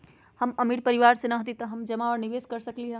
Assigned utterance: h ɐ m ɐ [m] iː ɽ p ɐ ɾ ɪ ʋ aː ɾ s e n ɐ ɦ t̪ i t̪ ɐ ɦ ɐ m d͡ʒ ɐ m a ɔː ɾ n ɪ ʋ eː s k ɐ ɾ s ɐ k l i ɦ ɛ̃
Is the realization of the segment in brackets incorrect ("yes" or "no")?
no